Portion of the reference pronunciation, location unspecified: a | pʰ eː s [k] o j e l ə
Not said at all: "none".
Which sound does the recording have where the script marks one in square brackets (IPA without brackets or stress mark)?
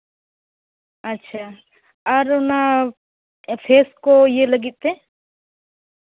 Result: k